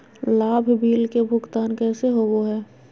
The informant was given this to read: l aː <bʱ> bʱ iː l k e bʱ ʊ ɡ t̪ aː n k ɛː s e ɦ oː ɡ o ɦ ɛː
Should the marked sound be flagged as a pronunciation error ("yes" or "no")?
no